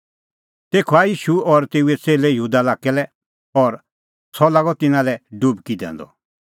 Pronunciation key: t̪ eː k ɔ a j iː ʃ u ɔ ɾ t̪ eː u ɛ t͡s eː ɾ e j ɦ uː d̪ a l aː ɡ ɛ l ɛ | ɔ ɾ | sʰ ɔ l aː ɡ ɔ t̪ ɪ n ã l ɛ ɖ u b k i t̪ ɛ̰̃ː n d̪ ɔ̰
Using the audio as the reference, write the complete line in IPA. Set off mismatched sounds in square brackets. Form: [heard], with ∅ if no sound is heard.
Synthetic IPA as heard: t̪ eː [kʰ] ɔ a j iː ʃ u ɔ ɾ t̪ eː u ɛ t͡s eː [l] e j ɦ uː d̪ a l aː [k] ɛ l ɛ | ɔ ɾ | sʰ ɔ l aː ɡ ɔ t̪ ɪ n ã l ɛ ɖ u b k i [d̪] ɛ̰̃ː n d̪ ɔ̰